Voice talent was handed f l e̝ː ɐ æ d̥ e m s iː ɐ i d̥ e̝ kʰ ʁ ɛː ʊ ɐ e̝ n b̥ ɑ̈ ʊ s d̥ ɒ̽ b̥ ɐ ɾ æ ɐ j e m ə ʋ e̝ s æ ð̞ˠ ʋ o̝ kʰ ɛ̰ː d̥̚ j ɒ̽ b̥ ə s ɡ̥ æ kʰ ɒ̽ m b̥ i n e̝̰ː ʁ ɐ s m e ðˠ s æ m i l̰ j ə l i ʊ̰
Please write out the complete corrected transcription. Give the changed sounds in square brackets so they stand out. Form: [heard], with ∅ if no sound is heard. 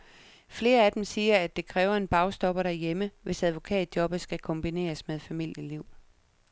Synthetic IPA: f l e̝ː ɐ æ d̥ e m s iː ɐ [æ] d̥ e̝ kʰ ʁ ɛː ʊ ɐ e̝ n b̥ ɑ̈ ʊ s d̥ ɒ̽ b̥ ɐ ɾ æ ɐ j e m ə ʋ e̝ s æ ð̞ˠ ʋ o̝ kʰ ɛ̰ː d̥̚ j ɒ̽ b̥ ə s ɡ̥ æ kʰ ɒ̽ m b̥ i n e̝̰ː [∅] ɐ s m e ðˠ [f] æ m i l̰ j ə l i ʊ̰